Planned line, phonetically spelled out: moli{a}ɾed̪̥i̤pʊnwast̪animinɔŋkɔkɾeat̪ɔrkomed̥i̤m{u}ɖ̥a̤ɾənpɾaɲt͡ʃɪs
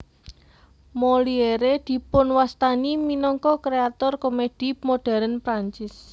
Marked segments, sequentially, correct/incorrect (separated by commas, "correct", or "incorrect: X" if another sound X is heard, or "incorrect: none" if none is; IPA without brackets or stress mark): incorrect: e, incorrect: o